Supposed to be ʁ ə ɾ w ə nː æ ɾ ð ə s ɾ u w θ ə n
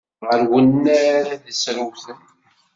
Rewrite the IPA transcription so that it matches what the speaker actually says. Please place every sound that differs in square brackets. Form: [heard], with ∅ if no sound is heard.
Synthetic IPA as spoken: ʁ ə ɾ w ə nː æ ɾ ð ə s ɾ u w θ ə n